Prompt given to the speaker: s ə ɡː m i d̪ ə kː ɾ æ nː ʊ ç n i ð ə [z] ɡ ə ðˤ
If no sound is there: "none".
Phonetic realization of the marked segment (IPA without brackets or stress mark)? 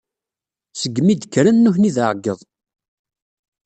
ʕ